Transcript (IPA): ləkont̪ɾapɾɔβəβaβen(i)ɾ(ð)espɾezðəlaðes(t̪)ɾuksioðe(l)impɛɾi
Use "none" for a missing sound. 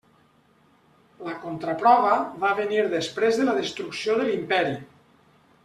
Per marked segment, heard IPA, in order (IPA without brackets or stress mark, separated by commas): i, ð, t̪, l